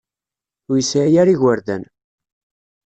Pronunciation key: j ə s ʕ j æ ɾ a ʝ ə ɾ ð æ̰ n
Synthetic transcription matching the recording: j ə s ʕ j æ ɾ i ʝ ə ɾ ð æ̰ n